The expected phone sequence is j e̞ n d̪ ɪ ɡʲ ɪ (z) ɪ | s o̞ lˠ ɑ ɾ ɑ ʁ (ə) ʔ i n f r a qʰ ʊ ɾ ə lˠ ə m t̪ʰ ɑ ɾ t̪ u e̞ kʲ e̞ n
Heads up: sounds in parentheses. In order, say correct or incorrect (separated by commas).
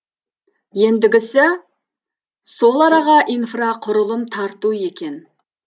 incorrect, incorrect